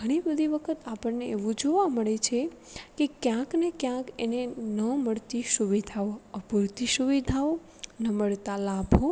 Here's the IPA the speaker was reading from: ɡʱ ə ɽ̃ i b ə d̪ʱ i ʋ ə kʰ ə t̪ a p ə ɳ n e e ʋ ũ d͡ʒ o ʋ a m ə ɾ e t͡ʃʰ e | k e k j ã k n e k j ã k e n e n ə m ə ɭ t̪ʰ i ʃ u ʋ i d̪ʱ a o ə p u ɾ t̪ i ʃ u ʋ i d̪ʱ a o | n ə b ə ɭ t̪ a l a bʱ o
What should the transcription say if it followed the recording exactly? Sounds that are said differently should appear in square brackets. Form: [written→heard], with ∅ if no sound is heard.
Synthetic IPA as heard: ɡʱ ə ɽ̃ i b ə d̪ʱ i ʋ ə kʰ ə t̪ a p ə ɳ n e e ʋ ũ d͡ʒ o ʋ a m ə [ɾ→ɭ] e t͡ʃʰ e | k e k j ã k n e k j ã k e n e n ə m ə ɭ [t̪ʰ→t̪] i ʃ u ʋ i d̪ʱ a o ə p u ɾ t̪ i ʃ u ʋ i d̪ʱ a o | n ə [b→m] ə ɭ t̪ a l a bʱ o

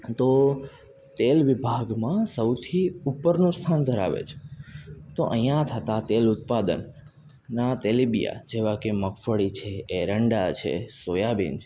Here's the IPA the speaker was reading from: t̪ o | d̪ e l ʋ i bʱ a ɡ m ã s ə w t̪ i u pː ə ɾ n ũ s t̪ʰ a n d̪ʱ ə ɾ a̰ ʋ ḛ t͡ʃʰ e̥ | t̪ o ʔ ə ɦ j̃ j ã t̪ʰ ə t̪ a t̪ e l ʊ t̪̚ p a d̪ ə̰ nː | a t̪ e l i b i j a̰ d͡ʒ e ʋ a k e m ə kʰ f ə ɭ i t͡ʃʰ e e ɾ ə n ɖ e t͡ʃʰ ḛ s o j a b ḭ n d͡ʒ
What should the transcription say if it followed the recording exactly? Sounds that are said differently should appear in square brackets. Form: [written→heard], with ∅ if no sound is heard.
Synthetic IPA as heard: t̪ o | [d̪→t̪] e l ʋ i bʱ a ɡ m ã s ə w [t̪→t̪ʰ] i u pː ə ɾ n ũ s t̪ʰ a n d̪ʱ ə ɾ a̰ ʋ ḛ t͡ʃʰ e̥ | t̪ o ʔ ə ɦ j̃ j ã t̪ʰ ə t̪ a t̪ e l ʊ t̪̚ p a d̪ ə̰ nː | a t̪ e l i b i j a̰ d͡ʒ e ʋ a k e m ə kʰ f ə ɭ i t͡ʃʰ e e ɾ ə [n→ɳ] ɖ [e→a] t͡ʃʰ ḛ s o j a b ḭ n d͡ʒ

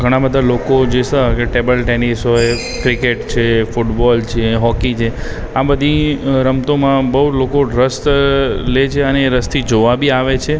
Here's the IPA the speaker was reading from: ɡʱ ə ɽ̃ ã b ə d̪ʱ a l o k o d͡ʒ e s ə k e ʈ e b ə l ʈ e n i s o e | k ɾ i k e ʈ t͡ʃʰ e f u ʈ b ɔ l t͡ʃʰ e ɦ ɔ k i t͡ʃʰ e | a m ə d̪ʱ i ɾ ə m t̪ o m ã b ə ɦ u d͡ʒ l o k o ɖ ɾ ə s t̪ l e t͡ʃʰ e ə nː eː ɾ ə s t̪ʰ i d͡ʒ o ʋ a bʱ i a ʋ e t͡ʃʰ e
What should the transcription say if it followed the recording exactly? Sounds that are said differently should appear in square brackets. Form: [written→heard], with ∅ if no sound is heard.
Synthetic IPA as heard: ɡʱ ə ɽ̃ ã b ə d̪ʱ a l o k o d͡ʒ e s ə k e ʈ e b ə l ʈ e n i s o e | k ɾ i k e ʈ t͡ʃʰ e f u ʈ b ɔ l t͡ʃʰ e ɦ ɔ k i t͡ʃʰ e | a [m→b] ə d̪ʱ i ɾ ə m t̪ o m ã b ə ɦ u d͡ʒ l o k o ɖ ɾ ə s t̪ l e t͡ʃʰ e ə [nː→n] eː ɾ ə s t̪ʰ i d͡ʒ o ʋ a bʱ i a ʋ e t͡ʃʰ e

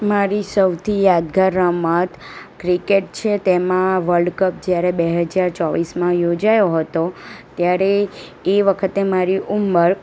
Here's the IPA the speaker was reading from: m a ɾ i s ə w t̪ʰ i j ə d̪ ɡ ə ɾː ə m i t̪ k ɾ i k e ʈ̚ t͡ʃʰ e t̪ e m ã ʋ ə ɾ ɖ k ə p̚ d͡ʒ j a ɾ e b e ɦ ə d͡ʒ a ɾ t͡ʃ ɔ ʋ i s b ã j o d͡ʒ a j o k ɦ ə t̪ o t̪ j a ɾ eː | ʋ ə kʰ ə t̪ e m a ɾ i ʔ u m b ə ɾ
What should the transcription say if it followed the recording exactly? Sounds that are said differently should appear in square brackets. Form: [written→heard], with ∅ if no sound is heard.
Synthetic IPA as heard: m a ɾ i s ə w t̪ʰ i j [ə→a] d̪ ɡ [ə→a] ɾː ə m [i→a] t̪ k ɾ i k e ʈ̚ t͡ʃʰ e t̪ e m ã ʋ ə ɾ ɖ k ə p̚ d͡ʒ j a ɾ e b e ɦ ə d͡ʒ a ɾ t͡ʃ ɔ ʋ i s [b→m] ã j o d͡ʒ a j o [k→∅] ɦ ə t̪ o t̪ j a ɾ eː | ʋ ə kʰ ə t̪ e m a ɾ i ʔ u m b ə ɾ

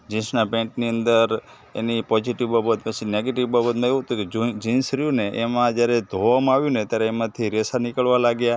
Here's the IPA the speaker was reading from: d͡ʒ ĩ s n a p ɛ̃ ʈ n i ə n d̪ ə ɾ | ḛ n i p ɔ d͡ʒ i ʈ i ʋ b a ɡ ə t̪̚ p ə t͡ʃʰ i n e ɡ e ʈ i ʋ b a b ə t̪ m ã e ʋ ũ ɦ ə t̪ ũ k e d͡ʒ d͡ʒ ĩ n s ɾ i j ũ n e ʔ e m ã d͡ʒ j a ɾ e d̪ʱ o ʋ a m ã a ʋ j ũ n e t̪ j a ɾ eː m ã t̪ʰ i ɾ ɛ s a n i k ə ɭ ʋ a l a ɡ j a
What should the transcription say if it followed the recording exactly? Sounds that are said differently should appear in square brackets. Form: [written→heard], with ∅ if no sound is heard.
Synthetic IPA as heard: d͡ʒ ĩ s n a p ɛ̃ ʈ n i ə n d̪ ə ɾ | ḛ n i p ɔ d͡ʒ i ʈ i ʋ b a [ɡ→b] ə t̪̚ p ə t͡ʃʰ i n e ɡ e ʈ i ʋ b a b ə t̪ m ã e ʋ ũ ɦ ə t̪ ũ k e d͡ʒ d͡ʒ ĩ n s ɾ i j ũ n e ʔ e m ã d͡ʒ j a ɾ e d̪ʱ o ʋ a m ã a ʋ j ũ n e t̪ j a ɾ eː m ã t̪ʰ i ɾ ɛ s a n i k ə ɭ ʋ a l a ɡ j a

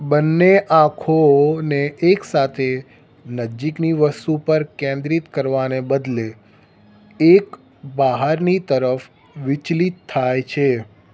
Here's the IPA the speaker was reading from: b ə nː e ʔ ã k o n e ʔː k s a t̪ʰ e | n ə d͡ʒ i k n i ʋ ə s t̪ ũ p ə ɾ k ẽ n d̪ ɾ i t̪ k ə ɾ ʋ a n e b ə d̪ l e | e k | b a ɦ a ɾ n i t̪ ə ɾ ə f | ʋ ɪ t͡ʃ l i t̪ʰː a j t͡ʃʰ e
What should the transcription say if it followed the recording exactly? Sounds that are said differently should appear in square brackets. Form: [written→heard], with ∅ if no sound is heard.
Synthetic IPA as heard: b ə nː e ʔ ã [k→kʰ] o n e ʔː k s a t̪ʰ e | n ə d͡ʒ i k n i ʋ ə s t̪ [ũ→u] p ə ɾ k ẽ n d̪ ɾ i t̪ k ə ɾ ʋ a n e b ə d̪ l e | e k | b a ɦ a ɾ n i t̪ ə ɾ ə f | ʋ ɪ t͡ʃ l i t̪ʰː a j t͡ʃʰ e

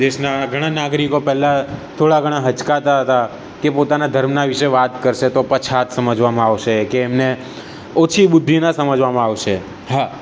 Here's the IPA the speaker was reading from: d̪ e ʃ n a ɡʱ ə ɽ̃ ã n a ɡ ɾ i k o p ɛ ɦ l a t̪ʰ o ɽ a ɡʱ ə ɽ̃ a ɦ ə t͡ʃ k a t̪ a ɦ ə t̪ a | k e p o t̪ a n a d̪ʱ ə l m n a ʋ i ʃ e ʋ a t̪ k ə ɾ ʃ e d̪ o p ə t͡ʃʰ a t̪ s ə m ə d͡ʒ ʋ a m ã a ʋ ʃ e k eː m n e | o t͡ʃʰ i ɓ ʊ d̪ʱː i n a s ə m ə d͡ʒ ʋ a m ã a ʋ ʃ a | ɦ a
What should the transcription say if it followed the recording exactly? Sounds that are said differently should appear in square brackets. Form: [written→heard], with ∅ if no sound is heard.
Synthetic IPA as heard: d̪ e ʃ n a ɡʱ ə ɽ̃ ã n a ɡ ɾ i k o p ɛ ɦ l a t̪ʰ o ɽ a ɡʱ ə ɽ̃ a ɦ ə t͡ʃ k a t̪ a ɦ ə t̪ a | k e p o t̪ a n a d̪ʱ ə [l→ɾ] m n a ʋ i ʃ e ʋ a t̪ k ə ɾ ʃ e [d̪→t̪] o p ə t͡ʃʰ a t̪ s ə m ə d͡ʒ ʋ a m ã a ʋ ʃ e k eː m n e | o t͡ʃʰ i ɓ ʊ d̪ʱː i n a s ə m ə d͡ʒ ʋ a m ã a ʋ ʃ [a→e] | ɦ a

